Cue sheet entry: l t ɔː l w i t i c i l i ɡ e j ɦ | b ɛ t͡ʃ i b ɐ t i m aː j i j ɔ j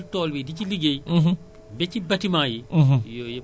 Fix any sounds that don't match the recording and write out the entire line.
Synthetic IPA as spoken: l t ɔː l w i d i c i l i ɡ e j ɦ | b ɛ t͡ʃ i b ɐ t i m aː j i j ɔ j